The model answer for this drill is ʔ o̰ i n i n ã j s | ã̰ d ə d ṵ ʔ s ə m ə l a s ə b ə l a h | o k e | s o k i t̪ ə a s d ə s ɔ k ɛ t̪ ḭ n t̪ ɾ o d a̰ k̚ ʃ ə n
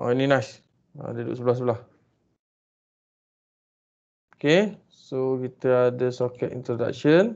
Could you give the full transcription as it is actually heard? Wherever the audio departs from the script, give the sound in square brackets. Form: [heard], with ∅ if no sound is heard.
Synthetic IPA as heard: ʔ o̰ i n i n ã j s | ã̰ d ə d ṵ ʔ s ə [b] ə l a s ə b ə l a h | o k e | s o k i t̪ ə a [∅] d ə s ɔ k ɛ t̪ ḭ n t̪ ɾ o d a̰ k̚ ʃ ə n

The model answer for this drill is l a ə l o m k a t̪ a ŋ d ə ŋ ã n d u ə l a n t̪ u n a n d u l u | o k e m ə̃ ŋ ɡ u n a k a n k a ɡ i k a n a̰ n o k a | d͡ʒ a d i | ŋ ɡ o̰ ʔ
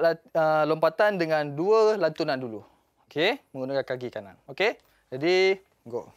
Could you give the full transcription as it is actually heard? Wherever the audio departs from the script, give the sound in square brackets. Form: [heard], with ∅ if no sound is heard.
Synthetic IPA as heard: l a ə l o m [p] a t̪ a [n] d ə ŋ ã n d u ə l a n t̪ u n a n d u l u | o k e m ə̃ ŋ ɡ u n a k a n k a ɡ i k a n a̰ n o k [e] | d͡ʒ a d i | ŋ ɡ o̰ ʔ

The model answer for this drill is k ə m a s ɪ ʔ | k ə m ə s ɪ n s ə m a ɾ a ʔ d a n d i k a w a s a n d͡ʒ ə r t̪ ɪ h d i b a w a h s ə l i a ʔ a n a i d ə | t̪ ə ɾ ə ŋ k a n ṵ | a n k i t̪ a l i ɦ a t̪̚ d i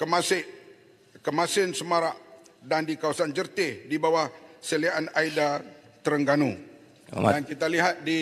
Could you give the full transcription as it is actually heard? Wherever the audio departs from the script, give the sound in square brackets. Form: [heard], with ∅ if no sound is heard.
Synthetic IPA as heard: k ə m a s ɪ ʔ | k ə m [a] s ɪ n s ə m a ɾ a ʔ d a n d i k a w a s a n d͡ʒ ə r t̪ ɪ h d i b a w a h s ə l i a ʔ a n a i d [a] | t̪ ə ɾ ə ŋ [ɡ] a n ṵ | a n k i t̪ a l i ɦ a t̪̚ d i

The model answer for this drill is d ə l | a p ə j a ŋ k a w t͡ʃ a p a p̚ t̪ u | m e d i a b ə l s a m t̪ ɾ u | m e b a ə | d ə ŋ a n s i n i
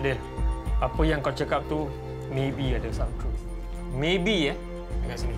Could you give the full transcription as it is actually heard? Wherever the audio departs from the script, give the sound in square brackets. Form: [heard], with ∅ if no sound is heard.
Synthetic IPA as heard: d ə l | a p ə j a ŋ k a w t͡ʃ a [k] a p̚ t̪ u | m e [b] i a [d] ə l s a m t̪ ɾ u | m e b [i] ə | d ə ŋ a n s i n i

